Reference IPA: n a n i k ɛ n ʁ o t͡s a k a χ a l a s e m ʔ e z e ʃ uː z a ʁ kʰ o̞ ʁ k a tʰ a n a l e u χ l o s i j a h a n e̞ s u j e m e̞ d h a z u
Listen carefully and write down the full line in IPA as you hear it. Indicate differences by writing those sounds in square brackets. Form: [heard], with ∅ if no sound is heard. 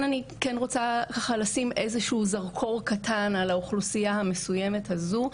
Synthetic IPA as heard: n a n i k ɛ n ʁ o t͡s a k a χ a l a s [i] m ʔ e z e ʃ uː z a ʁ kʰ o̞ ʁ k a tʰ a n a l [a] u χ l [u] s i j a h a [m] e̞ s u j e m e̞ [t] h a z u